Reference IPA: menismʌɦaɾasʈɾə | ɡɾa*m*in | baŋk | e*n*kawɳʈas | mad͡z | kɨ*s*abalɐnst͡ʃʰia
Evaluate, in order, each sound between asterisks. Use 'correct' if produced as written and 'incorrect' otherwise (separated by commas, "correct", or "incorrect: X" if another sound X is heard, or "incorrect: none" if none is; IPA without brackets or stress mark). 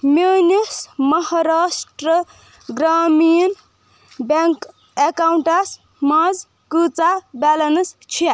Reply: correct, incorrect: none, incorrect: t͡s